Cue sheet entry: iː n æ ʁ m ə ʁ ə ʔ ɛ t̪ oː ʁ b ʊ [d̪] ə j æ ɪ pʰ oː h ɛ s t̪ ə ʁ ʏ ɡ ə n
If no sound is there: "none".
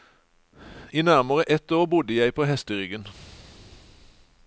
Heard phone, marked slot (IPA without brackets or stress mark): d̪